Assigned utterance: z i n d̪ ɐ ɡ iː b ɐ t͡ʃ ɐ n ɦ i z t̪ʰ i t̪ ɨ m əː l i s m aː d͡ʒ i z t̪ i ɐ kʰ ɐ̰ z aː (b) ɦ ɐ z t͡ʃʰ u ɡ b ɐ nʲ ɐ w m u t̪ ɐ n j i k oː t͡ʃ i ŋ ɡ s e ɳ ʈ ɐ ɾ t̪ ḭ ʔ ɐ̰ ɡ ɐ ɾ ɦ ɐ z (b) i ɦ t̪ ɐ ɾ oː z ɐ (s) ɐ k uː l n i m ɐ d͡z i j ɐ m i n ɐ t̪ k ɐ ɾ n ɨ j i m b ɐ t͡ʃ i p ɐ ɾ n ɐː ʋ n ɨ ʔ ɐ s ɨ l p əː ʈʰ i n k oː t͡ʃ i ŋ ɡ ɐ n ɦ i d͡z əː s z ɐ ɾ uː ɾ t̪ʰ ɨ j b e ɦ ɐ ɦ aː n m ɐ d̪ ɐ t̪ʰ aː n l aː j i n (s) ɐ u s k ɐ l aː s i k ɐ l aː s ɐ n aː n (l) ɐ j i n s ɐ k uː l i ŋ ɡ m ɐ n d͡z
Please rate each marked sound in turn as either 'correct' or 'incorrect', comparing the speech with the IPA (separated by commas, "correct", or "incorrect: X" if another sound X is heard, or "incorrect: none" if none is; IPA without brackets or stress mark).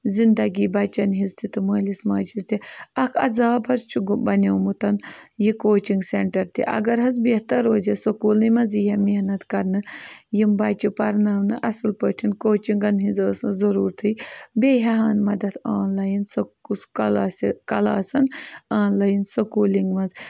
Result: correct, correct, correct, correct, correct